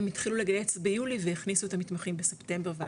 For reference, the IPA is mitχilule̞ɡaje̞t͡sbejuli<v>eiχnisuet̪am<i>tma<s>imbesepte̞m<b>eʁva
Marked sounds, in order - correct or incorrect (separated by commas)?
correct, correct, incorrect, correct